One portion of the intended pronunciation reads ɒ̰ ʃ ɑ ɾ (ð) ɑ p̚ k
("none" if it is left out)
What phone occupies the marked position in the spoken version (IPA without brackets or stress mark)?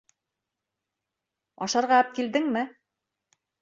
ʁ